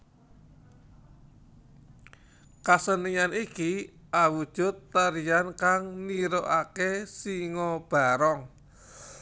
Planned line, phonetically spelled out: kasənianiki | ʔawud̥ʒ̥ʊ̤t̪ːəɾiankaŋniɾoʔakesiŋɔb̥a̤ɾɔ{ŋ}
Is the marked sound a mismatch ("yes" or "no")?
no